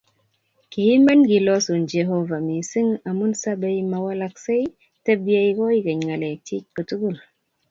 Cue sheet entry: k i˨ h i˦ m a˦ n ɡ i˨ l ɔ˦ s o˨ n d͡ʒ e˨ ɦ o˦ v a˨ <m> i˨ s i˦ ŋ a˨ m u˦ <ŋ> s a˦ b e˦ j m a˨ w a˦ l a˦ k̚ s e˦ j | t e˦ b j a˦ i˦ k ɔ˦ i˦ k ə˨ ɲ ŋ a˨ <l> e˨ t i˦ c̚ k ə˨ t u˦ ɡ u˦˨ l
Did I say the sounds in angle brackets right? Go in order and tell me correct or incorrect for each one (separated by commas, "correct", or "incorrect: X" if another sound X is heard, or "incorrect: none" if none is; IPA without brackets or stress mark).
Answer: correct, incorrect: n, correct